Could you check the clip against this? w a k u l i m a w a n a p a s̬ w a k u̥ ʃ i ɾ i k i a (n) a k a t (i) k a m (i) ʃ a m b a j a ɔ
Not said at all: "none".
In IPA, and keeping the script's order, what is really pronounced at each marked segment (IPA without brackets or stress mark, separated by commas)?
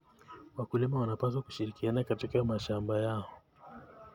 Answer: n, i, a